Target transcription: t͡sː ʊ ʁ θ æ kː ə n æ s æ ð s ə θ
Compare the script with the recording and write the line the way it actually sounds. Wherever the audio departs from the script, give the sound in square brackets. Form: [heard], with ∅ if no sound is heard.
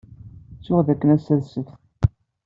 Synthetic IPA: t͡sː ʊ ʁ [ð] æ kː ə n æ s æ ð s ə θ